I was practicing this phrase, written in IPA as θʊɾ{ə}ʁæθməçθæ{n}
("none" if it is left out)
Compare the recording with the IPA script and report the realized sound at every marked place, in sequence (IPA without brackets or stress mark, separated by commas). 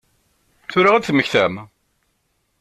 a, m